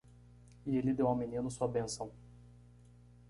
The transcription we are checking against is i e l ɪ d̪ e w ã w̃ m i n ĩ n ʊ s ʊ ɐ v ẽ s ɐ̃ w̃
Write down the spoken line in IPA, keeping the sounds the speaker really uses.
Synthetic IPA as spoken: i e l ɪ d̪ e w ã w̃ m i n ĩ n ʊ s u ɐ b ẽ s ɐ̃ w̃